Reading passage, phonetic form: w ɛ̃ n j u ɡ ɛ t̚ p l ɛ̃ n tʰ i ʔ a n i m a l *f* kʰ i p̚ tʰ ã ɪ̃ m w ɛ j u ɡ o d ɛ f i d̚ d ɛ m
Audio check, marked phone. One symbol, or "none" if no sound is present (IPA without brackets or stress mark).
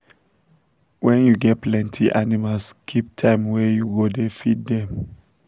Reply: s